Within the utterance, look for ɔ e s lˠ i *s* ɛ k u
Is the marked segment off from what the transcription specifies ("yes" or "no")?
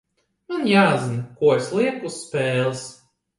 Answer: yes